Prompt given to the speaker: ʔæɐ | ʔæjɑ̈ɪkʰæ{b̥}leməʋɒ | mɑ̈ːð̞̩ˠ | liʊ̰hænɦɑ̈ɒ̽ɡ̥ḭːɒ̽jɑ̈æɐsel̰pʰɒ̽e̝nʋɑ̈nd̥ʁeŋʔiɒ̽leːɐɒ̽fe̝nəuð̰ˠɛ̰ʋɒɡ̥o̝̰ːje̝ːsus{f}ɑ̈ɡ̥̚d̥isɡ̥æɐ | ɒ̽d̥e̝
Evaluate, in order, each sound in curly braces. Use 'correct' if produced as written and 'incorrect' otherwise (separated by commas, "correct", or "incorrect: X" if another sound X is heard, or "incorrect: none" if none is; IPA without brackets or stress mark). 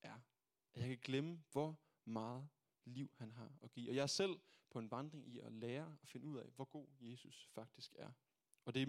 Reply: incorrect: ɡ̥, correct